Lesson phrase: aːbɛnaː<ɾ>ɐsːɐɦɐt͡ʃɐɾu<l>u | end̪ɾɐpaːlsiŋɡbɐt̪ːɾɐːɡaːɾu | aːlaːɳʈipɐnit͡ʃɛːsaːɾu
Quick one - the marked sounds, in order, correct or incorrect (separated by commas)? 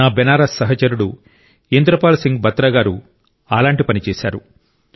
correct, incorrect